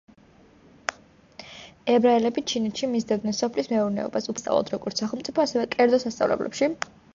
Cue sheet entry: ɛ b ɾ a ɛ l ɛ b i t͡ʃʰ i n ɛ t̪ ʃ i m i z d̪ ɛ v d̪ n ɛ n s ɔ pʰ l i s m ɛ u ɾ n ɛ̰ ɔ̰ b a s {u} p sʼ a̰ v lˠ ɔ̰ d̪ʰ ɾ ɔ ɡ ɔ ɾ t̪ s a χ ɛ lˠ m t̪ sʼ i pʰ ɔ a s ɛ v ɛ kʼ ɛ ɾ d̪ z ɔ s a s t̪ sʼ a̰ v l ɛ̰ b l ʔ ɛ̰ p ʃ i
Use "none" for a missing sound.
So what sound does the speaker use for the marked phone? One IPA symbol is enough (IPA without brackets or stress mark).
u